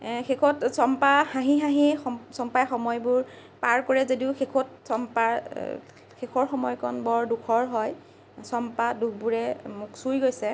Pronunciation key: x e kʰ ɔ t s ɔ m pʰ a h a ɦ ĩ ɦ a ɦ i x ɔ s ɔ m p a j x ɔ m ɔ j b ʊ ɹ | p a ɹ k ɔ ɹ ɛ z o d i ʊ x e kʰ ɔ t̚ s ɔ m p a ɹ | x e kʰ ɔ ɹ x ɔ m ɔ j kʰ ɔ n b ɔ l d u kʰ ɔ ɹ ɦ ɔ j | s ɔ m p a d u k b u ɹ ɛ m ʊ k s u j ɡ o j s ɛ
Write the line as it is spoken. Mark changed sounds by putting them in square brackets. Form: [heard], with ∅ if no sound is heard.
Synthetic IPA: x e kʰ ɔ t s ɔ m [p] a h a ɦ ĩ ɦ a ɦ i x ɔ s ɔ m p a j x ɔ m ɔ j b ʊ ɹ | p a ɹ k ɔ ɹ ɛ z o d i ʊ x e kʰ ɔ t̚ s ɔ m p a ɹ | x e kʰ ɔ ɹ x ɔ m ɔ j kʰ ɔ n b ɔ [ɹ] d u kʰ ɔ ɹ ɦ ɔ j | s ɔ m p a d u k b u ɹ ɛ m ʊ k s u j ɡ o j s ɛ